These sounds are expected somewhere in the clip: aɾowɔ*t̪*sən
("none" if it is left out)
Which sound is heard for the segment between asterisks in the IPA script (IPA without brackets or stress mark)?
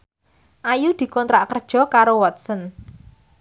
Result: t̪